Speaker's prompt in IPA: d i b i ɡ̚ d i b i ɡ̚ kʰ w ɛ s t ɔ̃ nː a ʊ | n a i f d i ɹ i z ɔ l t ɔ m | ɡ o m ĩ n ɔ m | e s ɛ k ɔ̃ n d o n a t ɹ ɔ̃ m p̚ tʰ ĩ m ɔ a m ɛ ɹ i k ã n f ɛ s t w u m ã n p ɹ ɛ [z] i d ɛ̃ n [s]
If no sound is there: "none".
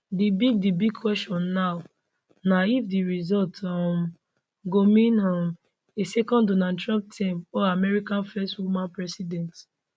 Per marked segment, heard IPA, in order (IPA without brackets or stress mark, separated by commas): s, t